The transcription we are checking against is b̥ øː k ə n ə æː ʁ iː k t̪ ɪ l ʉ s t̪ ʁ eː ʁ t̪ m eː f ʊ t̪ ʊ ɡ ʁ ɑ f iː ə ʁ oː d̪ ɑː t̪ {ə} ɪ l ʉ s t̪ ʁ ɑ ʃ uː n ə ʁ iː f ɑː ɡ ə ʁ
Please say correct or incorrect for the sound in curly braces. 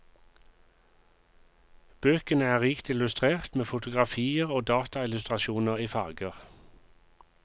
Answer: incorrect